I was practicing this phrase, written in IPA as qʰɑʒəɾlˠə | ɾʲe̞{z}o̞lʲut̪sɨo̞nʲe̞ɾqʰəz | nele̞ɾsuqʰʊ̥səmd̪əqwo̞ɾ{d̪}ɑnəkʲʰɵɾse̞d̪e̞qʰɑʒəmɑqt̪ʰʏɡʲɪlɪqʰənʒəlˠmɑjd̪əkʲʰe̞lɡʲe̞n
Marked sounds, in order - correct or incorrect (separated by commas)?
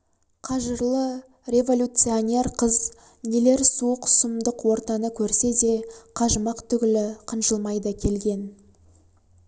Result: incorrect, incorrect